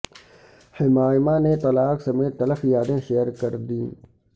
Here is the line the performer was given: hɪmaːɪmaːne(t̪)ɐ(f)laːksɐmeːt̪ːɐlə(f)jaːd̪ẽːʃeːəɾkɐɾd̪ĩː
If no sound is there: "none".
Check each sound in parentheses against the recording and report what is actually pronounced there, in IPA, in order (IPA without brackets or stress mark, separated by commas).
t̪, none, f